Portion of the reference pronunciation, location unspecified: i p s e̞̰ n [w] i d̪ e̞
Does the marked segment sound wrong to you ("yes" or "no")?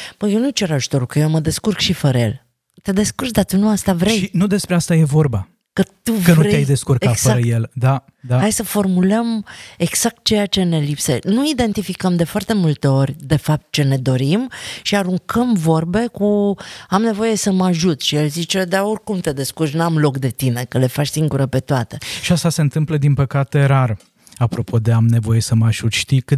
yes